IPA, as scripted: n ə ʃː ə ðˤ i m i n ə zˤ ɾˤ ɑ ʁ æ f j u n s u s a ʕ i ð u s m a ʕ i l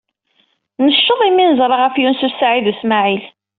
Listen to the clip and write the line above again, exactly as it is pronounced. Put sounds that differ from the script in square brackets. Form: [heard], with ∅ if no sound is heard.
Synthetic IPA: n ə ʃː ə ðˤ i m i n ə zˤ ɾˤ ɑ ʁ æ f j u n s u s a ʕ i ð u s m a ʕ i l